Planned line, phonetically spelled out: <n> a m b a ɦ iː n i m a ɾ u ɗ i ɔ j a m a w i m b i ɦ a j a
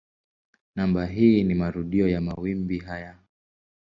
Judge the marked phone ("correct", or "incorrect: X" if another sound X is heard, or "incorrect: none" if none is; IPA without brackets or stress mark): correct